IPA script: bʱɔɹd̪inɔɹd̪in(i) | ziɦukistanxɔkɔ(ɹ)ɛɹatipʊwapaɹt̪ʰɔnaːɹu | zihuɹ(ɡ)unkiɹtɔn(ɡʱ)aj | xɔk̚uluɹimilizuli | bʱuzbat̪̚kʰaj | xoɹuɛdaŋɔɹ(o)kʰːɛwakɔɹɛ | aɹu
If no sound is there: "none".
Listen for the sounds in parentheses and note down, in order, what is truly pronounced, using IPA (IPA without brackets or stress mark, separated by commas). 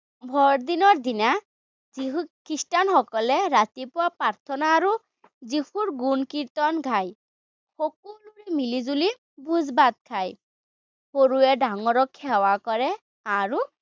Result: a, l, ɡ, ɡʱ, ɔ